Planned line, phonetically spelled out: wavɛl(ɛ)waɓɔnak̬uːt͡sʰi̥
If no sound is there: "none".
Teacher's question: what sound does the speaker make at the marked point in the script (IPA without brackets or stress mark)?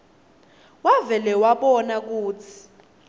ɛ